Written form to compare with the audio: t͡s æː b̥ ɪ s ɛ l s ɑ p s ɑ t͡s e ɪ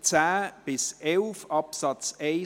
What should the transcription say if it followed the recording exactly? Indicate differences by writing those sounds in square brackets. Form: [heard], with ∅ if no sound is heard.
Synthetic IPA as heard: t͡s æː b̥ ɪ s ɛ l [f] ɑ p s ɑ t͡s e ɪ